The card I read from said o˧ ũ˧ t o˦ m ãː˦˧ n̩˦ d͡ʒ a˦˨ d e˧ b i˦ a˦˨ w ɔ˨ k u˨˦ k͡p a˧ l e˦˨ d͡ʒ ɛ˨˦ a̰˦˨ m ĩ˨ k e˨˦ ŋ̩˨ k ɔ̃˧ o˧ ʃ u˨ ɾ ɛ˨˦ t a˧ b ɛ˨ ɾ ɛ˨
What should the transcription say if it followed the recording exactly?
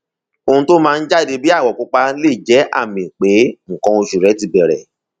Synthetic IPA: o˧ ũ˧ t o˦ m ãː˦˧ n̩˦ d͡ʒ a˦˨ d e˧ b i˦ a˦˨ w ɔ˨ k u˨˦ k͡p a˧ l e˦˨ d͡ʒ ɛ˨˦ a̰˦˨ m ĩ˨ k͡p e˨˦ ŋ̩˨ k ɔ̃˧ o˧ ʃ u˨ ɾ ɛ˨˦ t i˧ b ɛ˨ ɾ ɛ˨